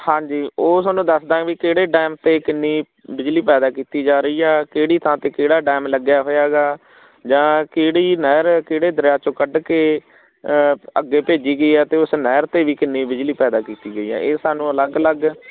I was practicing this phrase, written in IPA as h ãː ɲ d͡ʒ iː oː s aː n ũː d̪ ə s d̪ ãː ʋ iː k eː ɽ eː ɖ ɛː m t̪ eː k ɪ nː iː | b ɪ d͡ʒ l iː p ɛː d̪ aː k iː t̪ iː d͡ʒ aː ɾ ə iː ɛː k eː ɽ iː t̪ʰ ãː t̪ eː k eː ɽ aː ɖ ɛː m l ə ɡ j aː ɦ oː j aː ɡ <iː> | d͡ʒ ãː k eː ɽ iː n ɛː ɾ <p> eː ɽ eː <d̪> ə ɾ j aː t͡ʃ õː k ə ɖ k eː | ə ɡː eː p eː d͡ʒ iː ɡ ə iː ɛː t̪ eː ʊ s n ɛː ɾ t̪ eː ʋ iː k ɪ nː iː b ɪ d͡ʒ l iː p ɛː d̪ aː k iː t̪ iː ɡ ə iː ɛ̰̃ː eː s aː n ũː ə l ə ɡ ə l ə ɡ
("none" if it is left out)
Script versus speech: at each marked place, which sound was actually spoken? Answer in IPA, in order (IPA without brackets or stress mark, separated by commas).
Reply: aː, k, d̪